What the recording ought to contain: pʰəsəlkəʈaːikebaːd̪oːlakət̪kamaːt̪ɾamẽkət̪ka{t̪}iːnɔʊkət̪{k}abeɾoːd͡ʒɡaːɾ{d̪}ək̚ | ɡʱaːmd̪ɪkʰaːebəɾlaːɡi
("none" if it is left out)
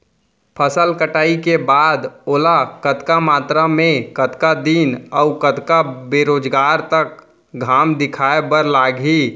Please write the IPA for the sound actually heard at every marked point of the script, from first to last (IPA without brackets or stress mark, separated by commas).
d̪, k, t̪